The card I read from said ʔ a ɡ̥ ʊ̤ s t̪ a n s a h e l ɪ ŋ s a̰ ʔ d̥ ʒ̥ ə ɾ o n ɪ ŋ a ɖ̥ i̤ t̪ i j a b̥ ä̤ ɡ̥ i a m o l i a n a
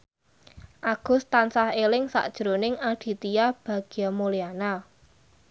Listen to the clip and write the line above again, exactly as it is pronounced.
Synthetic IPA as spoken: ʔ a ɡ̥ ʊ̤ s t̪ a n s a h e l ɪ ŋ s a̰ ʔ d̥ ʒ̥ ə ɾ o n ɪ ŋ a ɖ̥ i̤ t̪ i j a b̥ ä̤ ɡ̥ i a m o l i a n a